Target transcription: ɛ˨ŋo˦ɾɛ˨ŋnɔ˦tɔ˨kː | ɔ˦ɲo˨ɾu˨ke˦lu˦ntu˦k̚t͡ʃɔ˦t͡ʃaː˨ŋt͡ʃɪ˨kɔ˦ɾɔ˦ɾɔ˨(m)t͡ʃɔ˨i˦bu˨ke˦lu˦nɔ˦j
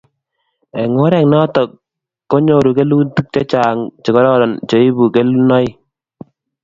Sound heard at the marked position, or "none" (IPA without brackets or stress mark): n